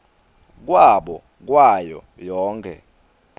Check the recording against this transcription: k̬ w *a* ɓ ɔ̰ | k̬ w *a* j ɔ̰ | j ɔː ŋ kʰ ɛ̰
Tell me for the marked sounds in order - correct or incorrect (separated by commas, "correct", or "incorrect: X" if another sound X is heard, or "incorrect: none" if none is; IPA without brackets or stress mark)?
correct, correct